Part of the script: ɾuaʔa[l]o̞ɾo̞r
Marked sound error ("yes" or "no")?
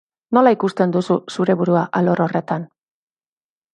no